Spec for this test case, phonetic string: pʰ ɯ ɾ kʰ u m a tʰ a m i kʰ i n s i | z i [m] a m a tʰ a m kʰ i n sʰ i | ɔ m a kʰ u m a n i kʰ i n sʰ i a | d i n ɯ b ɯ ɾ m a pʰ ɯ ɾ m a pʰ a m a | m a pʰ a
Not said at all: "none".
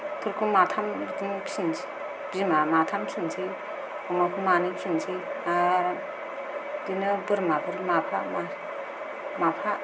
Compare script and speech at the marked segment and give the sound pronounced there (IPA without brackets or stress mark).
m